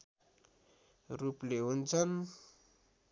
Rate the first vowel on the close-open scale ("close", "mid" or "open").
close